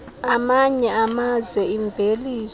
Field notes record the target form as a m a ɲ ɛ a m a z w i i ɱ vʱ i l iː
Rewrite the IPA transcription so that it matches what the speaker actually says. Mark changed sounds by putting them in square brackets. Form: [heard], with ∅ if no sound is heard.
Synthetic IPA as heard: a m a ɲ ɛ a m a z w [ɛ] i ɱ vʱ [e] l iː